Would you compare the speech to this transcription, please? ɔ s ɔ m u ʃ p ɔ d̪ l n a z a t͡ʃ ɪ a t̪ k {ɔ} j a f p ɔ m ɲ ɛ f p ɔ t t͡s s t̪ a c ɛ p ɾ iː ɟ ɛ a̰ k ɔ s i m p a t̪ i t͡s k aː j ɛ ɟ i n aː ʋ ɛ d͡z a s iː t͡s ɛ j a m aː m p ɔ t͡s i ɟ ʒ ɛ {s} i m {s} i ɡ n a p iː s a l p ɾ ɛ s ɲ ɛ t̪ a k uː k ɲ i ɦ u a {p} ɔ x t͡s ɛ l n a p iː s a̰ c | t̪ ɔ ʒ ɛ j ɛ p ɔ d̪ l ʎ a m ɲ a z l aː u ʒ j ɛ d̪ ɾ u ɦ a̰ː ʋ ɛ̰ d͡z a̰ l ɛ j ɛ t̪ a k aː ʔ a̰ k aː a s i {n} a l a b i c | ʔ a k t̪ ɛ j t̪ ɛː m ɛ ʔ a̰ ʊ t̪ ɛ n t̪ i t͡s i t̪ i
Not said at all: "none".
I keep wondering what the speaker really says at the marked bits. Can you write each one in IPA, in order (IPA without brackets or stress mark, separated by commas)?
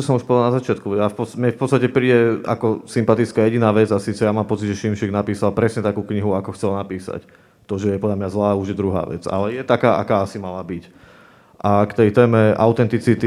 u, ʃ, ʃ, k, m